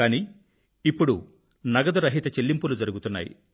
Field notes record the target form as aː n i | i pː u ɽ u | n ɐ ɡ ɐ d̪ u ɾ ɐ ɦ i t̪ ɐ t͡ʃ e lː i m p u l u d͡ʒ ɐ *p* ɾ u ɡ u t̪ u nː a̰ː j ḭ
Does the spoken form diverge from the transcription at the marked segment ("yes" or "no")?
yes